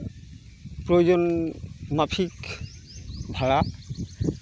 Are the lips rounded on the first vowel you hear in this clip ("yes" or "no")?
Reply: yes